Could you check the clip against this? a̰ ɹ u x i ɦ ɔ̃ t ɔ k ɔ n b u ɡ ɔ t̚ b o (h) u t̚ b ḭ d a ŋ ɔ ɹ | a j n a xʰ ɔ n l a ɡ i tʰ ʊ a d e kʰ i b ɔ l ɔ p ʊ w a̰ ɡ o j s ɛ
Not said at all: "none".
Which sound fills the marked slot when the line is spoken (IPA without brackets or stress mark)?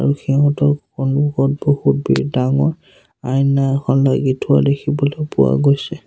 h